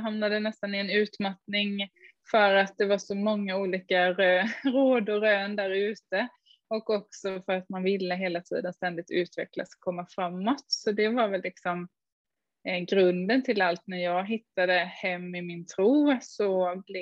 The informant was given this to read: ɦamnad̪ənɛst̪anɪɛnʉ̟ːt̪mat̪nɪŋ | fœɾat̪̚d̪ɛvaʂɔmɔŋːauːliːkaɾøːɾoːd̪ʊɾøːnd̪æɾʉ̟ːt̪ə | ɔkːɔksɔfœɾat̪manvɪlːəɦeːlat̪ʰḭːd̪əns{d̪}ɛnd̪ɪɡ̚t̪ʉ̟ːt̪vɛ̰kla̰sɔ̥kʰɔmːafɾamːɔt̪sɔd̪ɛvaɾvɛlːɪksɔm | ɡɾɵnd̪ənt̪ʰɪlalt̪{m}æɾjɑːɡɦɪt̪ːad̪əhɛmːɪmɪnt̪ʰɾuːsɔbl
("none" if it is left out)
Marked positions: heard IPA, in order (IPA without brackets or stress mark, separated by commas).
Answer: t̪, n